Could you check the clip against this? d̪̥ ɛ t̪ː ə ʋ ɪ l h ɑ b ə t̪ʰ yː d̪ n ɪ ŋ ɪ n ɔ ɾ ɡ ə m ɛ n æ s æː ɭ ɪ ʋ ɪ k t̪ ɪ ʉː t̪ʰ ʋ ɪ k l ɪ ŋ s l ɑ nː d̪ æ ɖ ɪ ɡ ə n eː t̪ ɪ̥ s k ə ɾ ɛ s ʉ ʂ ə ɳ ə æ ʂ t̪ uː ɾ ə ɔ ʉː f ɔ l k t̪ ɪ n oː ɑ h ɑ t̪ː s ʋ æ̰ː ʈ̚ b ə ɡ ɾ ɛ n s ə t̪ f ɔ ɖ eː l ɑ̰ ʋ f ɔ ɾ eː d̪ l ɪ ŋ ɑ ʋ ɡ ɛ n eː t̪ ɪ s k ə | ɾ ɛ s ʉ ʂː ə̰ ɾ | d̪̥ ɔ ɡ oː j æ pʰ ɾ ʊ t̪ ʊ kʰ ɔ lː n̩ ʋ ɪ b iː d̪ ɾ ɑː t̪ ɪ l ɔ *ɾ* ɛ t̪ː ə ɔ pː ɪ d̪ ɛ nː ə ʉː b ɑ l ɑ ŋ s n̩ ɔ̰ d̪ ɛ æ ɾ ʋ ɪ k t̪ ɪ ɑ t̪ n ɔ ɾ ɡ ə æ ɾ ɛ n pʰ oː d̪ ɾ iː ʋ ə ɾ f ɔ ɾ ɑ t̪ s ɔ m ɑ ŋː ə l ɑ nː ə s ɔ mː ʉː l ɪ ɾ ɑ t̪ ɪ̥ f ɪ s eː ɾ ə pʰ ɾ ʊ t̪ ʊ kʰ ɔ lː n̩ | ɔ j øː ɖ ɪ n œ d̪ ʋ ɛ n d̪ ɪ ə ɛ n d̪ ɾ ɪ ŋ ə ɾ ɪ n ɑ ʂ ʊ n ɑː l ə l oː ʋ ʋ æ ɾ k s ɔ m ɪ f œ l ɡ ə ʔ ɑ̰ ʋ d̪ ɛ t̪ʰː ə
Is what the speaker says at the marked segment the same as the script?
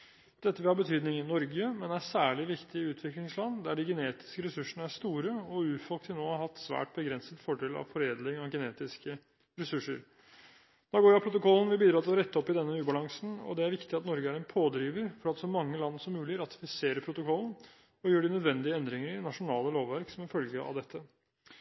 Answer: yes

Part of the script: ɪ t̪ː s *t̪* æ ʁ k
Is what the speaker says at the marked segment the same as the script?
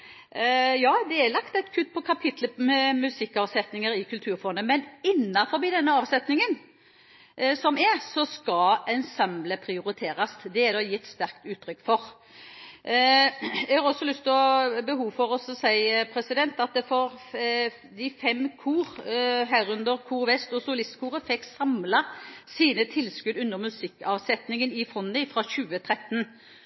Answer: yes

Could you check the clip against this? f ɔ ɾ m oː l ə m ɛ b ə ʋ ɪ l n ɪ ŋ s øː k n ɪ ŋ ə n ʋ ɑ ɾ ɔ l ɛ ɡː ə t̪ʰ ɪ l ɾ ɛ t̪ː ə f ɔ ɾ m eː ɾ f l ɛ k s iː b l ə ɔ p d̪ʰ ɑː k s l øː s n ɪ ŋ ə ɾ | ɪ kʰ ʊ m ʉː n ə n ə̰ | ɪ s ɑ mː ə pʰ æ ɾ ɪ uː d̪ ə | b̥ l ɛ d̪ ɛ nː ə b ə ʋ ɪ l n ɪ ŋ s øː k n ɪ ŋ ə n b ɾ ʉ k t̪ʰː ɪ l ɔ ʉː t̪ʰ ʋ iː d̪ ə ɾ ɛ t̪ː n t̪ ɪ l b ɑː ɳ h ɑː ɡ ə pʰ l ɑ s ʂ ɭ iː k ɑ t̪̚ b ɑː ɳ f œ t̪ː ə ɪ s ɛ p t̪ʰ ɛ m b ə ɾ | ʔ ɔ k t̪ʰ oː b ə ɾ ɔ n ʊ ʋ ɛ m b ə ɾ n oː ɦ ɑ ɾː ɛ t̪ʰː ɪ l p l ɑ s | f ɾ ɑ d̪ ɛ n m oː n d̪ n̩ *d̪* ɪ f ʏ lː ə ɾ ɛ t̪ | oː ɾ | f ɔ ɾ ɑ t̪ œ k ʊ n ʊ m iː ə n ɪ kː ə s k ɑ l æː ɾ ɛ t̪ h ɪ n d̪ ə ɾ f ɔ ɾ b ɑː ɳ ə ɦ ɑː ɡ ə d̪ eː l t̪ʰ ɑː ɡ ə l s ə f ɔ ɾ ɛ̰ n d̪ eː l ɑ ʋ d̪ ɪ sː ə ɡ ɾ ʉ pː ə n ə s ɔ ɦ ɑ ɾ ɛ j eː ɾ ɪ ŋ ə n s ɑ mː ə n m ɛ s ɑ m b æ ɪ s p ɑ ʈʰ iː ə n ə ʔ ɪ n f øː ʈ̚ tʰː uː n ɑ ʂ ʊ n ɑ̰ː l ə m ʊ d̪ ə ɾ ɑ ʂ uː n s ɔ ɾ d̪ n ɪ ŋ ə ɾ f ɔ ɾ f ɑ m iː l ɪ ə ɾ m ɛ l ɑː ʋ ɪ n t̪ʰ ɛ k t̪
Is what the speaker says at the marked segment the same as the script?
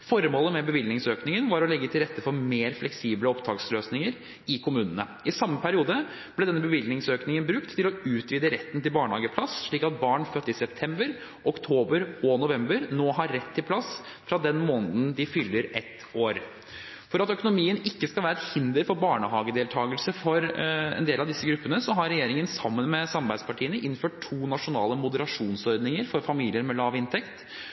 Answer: yes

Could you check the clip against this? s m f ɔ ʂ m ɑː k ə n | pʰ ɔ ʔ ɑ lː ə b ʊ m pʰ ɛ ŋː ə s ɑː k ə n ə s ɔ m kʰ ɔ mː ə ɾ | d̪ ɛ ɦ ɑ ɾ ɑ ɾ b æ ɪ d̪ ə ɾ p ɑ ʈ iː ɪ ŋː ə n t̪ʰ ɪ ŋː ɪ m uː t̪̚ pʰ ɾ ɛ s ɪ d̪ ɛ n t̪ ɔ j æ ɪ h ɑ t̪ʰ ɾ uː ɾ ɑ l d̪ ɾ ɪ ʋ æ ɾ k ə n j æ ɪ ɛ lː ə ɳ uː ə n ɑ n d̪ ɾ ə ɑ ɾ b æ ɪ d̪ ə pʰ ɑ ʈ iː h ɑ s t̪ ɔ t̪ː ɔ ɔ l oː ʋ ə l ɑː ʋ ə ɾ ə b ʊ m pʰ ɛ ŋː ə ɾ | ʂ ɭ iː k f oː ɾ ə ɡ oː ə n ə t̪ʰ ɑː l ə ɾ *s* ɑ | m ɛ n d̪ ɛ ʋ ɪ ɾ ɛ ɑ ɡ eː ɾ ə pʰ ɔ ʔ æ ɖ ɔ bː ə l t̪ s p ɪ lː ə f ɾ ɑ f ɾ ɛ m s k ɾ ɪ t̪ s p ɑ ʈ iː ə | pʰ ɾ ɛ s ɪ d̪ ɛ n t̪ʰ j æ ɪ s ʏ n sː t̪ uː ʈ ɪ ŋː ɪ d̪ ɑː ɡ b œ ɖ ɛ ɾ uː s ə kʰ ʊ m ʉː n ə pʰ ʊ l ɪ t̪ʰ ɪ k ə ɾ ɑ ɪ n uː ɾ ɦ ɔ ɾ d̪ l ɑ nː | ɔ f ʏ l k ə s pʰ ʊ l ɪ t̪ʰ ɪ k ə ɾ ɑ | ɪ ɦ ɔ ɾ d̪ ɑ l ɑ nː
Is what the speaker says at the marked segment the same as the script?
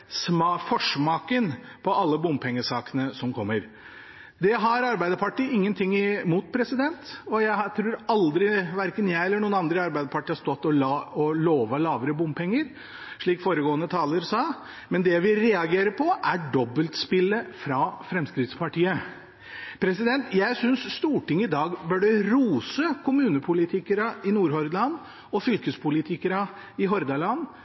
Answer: yes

